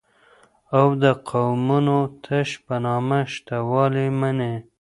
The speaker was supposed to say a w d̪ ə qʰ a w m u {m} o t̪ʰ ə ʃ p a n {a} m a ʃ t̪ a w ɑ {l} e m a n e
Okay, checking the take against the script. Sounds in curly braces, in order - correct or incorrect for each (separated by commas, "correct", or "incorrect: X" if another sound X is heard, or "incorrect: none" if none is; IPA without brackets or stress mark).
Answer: incorrect: n, incorrect: ɑ, correct